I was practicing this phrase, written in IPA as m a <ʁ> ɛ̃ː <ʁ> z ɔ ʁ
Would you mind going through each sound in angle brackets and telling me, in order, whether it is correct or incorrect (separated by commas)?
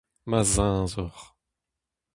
incorrect, incorrect